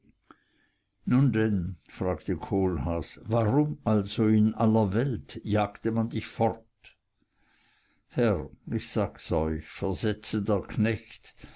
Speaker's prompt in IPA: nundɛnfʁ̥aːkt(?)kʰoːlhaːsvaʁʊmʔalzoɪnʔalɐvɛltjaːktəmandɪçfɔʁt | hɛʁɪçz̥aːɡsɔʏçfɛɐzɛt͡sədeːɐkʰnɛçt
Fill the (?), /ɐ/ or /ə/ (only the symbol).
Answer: ə